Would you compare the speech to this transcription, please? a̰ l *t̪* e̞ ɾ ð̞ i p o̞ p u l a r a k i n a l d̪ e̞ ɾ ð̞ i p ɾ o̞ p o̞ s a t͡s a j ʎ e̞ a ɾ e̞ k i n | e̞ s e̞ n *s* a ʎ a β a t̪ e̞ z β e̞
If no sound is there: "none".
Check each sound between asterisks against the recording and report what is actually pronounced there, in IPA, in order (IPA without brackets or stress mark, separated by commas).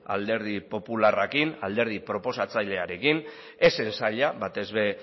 d̪, s